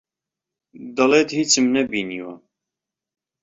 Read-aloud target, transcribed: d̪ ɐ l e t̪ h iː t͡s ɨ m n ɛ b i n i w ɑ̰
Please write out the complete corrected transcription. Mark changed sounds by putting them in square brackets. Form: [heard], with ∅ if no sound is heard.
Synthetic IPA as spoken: d̪ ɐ l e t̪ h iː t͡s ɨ m n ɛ b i n i w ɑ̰